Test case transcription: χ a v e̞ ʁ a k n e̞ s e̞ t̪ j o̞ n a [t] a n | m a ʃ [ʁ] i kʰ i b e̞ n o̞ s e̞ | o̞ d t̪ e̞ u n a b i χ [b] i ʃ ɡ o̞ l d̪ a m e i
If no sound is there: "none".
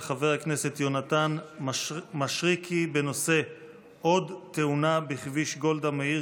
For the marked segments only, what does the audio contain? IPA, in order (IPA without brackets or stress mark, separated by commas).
t, ʁ, v